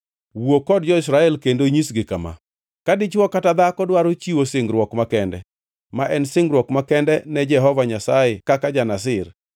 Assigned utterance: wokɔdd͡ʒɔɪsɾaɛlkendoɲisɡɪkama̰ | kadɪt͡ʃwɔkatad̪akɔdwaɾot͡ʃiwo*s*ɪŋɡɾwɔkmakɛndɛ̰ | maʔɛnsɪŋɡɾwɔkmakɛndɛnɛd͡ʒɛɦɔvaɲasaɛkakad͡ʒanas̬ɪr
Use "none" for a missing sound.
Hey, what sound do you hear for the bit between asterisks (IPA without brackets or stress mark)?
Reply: s